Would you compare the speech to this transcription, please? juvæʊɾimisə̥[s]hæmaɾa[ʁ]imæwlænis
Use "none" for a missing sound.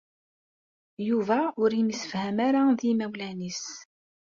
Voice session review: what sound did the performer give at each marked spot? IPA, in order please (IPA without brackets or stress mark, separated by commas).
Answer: f, ð